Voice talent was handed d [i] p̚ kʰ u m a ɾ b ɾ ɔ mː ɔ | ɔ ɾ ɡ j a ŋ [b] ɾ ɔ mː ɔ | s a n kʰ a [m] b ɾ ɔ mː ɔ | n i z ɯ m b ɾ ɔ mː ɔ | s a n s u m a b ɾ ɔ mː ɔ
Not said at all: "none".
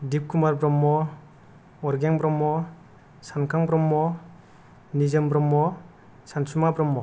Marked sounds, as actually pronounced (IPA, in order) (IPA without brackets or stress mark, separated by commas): i, b, ŋ